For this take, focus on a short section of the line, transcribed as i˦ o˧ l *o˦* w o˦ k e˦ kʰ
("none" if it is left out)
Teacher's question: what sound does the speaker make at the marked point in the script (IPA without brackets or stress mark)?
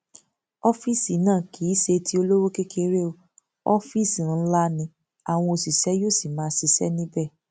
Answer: o˦